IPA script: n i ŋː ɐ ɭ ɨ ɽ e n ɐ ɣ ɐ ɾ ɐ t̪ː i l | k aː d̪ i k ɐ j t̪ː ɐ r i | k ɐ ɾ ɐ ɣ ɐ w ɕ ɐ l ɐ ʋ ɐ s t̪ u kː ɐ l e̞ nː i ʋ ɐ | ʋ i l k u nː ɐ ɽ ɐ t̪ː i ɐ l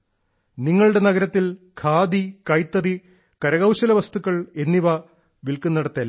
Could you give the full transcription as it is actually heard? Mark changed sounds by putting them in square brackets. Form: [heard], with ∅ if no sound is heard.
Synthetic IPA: n i ŋː ɐ ɭ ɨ ɽ e n ɐ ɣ ɐ ɾ ɐ t̪ː i l | [kʰ] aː d̪ i k ɐ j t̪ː ɐ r i | k ɐ ɾ ɐ ɣ ɐ w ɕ ɐ l ɐ ʋ ɐ s t̪ u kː ɐ [ɭ] e̞ nː i ʋ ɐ | ʋ i l k u nː ɐ ɽ ɐ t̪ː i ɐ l